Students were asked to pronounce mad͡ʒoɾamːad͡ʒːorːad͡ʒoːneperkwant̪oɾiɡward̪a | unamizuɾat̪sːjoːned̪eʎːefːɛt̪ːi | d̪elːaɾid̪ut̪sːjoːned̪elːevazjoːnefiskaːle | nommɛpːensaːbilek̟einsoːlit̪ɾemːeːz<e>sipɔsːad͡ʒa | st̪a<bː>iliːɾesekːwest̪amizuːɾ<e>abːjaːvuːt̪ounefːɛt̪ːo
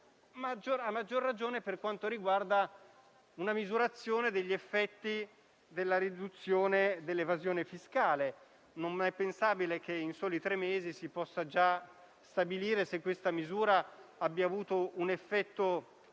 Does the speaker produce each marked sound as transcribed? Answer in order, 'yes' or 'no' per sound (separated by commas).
no, no, no